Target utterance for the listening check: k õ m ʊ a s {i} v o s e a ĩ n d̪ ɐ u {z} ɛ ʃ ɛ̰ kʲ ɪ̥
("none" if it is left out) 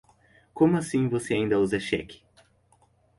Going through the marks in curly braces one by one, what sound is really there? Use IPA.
ĩ, z

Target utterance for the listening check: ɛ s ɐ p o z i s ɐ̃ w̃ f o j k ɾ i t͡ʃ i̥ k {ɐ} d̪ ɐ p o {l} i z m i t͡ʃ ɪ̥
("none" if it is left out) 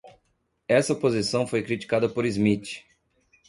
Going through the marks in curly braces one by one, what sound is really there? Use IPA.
a, ɾ

